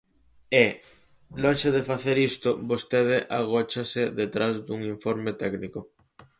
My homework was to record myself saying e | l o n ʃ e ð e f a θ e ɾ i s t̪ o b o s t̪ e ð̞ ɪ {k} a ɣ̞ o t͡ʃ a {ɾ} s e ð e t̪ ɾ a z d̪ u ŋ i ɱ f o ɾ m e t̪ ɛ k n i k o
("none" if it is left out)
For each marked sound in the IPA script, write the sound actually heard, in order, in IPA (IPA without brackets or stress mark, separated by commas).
ʔ, none